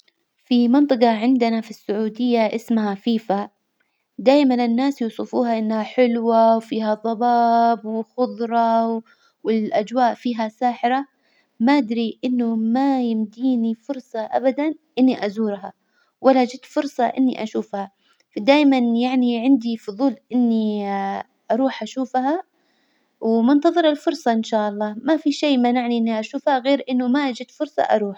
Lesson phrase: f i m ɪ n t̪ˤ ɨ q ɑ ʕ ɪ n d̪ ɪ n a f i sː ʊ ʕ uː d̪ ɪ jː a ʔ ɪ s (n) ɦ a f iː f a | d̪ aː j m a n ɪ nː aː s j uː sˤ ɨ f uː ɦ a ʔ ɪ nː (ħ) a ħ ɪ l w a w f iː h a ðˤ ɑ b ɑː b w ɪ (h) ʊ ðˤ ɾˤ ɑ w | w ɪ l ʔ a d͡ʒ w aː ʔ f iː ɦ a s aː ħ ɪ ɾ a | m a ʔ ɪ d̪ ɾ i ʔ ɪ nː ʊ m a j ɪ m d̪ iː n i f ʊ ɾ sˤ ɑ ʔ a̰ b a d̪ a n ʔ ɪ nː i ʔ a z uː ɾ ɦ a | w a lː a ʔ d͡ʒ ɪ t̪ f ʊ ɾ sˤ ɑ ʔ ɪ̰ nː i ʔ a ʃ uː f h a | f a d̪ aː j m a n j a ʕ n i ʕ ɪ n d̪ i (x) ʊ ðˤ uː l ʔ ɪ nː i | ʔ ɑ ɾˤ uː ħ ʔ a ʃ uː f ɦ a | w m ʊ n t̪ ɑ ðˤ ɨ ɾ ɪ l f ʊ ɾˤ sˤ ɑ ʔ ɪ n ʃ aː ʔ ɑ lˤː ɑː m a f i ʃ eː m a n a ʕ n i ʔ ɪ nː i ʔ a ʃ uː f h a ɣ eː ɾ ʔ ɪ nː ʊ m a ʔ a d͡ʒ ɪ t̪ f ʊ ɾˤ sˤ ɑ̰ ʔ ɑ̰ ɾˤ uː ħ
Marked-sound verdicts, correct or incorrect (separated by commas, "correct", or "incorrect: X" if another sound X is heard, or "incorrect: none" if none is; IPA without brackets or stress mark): incorrect: m, incorrect: h, incorrect: x, incorrect: f